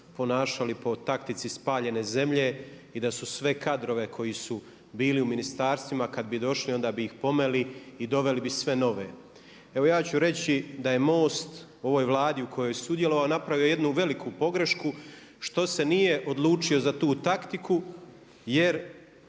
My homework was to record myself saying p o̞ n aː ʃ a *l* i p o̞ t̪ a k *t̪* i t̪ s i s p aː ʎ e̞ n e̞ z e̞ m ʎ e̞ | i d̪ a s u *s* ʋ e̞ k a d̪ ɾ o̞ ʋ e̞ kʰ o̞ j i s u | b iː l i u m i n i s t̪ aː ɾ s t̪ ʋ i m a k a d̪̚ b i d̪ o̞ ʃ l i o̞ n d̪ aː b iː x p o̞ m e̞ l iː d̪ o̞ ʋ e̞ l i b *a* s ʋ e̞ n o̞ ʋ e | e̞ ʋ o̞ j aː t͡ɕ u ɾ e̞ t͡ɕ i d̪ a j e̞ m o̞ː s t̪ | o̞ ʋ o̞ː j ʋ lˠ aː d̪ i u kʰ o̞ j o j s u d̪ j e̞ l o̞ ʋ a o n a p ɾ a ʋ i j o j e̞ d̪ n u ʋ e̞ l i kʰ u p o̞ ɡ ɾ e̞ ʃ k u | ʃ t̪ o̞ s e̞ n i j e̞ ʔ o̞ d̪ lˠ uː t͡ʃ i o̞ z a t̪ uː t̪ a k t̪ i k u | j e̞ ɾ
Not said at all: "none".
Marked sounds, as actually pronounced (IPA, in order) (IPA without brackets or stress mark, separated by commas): l, t̪, s, i